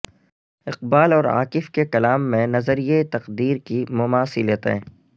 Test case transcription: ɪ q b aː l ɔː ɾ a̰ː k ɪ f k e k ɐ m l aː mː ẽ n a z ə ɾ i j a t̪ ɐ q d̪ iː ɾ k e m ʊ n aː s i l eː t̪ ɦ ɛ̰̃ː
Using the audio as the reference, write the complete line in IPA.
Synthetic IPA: ɪ q b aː l ɔː ɾ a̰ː k ɪ f k e k ɐ l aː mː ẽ n ɐ z ə ɾ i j e t̪ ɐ q d̪ iː ɾ k i m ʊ m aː s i l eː t̪ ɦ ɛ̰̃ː

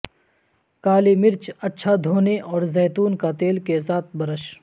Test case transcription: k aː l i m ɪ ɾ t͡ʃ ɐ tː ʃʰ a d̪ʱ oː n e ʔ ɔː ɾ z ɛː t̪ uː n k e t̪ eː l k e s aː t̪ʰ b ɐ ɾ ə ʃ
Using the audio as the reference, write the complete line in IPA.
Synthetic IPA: k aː l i m ɪ ɾ t͡ʃ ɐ tː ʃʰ a d̪ʱ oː n e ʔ ɔː ɾ z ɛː t̪ uː n k a t̪ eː l k e s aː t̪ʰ b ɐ ɾ ə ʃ

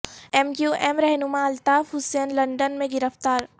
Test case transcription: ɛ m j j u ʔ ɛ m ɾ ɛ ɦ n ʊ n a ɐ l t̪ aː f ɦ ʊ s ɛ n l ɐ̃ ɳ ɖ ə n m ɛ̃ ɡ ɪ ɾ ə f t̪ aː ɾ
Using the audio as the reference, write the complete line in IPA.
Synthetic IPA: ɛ m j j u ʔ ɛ m ɾ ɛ ɦ n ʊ m a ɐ l t̪ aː f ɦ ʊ s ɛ n l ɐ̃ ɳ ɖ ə n m ẽ ɡ ɪ ɾ ə f t̪ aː ɾ

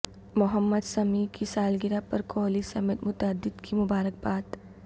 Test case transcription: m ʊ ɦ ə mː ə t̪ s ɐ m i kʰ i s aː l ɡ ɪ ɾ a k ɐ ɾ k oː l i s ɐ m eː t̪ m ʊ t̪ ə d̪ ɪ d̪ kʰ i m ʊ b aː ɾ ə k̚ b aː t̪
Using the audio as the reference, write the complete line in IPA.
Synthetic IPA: m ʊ ɦ ə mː ə d̪ s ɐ m i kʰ i s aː l ɡ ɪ ɾ a p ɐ ɾ k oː l i s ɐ m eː t̪ m ʊ t̪ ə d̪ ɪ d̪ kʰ i m ʊ b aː ɾ ə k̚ b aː t̪

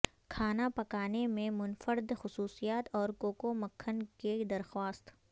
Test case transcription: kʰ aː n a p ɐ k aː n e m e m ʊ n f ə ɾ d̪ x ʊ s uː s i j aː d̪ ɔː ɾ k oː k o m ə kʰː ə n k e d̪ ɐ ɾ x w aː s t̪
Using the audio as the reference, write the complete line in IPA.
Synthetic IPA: kʰ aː n a p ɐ k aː n e m ẽ m ʊ n f ə ɾ d̪ x ʊ s uː s i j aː t̪ ɔː ɾ k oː k o m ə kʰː ə n k e d̪ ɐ ɾ x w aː s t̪

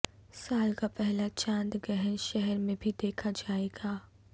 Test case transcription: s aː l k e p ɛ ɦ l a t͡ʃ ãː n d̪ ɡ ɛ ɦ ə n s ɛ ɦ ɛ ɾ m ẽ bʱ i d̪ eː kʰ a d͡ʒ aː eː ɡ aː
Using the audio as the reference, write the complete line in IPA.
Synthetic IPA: s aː l k a p ɛ ɦ l a t͡ʃ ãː n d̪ ɡ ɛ ɦ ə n ʃ ɛ ɦ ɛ ɾ m ẽ bʱ i d̪ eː kʰ a d͡ʒ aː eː ɡ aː

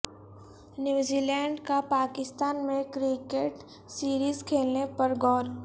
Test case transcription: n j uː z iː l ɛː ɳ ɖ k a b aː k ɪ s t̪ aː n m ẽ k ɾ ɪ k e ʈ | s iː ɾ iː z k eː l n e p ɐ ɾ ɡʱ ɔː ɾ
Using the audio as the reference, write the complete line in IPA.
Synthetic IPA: n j uː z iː l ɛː ɳ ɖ k a p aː k ɪ s t̪ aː n m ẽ k ɾ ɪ k e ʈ | s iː ɾ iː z kʰ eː l n e p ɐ ɾ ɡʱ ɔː ɾ

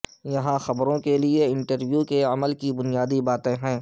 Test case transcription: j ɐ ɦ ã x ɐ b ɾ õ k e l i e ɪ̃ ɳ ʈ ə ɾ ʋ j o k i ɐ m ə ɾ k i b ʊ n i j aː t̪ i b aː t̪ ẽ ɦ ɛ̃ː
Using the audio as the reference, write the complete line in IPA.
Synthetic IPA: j ɐ ɦ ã x ɐ b ɾ õ k e l i e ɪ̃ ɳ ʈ ə ɾ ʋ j u k e ɐ m ə l k i b ʊ n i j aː d̪ i b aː t̪ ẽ ɦ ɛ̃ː

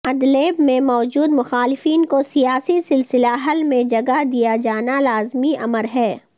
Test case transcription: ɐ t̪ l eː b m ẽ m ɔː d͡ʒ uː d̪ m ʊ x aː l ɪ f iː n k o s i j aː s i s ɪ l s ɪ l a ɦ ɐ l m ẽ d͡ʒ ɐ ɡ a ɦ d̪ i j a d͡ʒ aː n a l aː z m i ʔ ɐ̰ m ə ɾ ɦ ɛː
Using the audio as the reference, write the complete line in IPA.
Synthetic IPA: ɐ d̪ l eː b m ẽ m ɔː d͡ʒ uː d̪ m ʊ x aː l ɪ f iː n k o s i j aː s i s ɪ l s ɪ l a ɦ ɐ l m ẽ d͡ʒ ɐ ɡ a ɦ d̪ i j a d͡ʒ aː n a l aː z m i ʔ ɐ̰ m ə ɾ ɦ ɛː

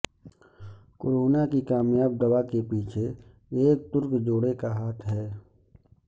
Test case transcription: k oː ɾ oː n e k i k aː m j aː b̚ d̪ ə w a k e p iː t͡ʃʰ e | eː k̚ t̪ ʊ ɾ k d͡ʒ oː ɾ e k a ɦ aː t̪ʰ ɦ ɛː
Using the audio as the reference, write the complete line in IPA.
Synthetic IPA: k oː ɾ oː n a k i k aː m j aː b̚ d̪ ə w a k e p iː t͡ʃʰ e | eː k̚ t̪ ʊ ɾ k d͡ʒ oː ɽ e k a ɦ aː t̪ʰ ɦ ɛː

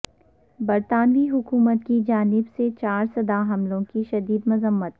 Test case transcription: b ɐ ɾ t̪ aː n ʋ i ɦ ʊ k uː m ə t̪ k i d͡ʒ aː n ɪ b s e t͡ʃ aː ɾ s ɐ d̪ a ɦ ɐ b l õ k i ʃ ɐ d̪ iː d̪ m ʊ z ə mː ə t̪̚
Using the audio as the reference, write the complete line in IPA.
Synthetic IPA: b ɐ ɾ t̪ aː n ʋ i ɦ ʊ k uː m ə t̪ k i d͡ʒ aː n ɪ b s e t͡ʃ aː ɾ s ɐ d̪ a ɦ ɐ m l õ k i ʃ ɐ d̪ iː d̪ m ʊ z ə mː ə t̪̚

